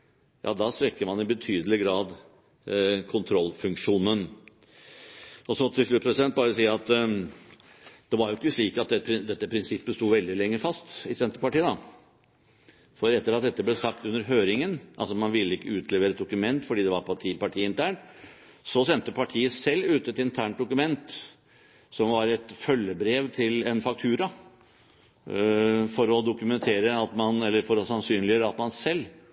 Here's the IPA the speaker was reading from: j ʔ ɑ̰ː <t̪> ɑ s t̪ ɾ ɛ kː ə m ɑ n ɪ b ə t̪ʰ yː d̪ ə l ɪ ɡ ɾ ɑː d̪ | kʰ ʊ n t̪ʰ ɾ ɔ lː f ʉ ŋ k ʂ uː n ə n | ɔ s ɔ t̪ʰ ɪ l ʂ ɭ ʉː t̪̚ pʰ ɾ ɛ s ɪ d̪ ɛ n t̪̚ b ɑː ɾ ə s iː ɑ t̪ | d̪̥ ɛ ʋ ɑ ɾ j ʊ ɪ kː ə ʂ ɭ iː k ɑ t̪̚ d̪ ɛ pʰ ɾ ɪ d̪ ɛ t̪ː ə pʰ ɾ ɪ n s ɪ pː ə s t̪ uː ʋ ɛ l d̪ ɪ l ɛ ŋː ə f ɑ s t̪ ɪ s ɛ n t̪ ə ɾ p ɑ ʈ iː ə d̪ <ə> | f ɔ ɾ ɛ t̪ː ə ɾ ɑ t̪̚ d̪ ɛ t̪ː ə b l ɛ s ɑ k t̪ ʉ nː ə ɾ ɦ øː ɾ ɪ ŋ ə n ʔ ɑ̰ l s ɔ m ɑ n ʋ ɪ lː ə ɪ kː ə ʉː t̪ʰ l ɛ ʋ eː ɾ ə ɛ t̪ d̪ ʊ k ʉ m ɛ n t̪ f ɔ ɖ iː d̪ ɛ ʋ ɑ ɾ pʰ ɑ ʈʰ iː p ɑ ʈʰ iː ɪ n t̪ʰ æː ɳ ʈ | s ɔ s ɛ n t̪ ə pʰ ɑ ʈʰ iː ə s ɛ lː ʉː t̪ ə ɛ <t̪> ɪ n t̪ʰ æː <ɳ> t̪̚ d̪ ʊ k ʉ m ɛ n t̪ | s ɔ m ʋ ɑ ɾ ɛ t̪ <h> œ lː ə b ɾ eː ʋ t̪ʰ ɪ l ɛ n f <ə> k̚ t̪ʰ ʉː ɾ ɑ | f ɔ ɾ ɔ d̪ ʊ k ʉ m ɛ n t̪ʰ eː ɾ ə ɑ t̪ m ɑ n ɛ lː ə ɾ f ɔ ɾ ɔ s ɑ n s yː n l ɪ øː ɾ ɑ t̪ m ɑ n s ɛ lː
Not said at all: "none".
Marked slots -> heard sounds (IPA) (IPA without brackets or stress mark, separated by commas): d̪, ɑ, t̪, ɳ, f, ɑ